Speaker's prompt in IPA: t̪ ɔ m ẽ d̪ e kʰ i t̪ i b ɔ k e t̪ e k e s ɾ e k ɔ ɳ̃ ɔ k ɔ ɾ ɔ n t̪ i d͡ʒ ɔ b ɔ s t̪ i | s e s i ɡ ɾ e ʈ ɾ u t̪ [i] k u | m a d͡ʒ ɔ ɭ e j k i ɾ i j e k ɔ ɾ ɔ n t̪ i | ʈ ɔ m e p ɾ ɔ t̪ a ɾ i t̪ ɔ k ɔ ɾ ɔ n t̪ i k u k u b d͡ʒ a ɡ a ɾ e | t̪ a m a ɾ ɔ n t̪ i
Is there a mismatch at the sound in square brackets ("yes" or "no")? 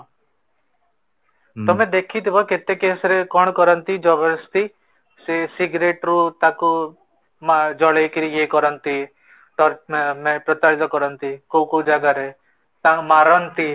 yes